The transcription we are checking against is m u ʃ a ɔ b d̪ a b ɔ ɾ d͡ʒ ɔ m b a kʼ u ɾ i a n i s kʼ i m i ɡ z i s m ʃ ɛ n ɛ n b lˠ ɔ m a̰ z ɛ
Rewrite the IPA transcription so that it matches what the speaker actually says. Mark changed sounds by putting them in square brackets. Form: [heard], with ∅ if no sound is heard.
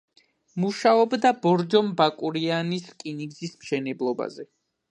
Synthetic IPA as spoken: m u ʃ a ɔ b d̪ a b ɔ ɾ d͡ʒ ɔ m b a kʼ u ɾ i a n i s kʼ i [n] i ɡ z i s m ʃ ɛ n ɛ [∅] b lˠ ɔ [b] a̰ z ɛ